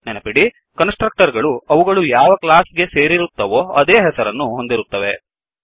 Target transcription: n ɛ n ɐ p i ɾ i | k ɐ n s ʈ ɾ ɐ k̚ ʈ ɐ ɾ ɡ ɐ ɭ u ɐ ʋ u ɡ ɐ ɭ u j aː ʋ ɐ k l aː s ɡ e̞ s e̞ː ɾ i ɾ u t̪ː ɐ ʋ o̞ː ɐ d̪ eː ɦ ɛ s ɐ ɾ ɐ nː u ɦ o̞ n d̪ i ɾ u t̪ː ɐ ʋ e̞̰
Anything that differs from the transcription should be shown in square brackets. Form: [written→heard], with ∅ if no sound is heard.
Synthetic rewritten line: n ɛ n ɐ p i [ɾ→ɽ] i | k ɐ n s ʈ ɾ ɐ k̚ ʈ ɐ ɾ ɡ ɐ ɭ u ɐ ʋ u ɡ ɐ ɭ u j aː ʋ ɐ k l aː s ɡ e̞ s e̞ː ɾ i ɾ u t̪ː ɐ ʋ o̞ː ɐ d̪ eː ɦ ɛ s ɐ ɾ ɐ nː u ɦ o̞ n d̪ i ɾ u t̪ː ɐ ʋ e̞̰